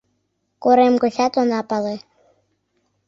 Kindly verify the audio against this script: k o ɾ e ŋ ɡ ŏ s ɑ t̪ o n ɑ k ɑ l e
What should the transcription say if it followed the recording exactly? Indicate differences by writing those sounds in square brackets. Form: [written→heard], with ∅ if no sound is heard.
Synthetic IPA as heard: k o ɾ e [ŋ→m] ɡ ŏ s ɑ t̪ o n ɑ [k→p] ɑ l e